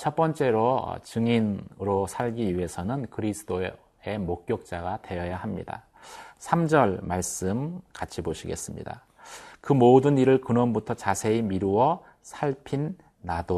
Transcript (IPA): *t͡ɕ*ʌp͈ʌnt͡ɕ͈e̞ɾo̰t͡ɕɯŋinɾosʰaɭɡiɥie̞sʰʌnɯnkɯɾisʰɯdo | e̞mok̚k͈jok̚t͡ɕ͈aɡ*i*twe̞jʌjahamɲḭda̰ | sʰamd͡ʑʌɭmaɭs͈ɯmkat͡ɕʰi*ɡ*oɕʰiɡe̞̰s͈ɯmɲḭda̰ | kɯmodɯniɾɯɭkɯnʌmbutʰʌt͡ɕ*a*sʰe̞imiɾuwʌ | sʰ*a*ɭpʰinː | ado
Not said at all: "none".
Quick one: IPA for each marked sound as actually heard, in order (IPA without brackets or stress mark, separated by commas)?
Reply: t͡ɕʰ, a, b, a, a